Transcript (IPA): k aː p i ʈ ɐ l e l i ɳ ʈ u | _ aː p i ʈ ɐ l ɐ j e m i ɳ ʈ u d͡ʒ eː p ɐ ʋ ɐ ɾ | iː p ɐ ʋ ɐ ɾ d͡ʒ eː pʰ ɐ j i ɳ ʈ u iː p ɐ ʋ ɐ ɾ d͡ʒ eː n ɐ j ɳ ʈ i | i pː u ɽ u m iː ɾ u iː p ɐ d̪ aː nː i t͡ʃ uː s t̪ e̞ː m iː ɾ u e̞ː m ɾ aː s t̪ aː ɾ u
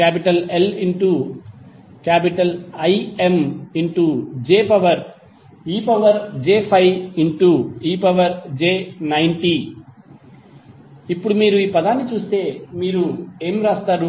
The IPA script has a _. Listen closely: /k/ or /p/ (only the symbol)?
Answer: k